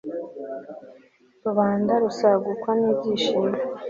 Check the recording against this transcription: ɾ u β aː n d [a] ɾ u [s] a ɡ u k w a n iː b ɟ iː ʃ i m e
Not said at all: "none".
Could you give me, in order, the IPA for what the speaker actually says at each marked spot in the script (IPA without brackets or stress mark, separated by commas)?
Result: a, s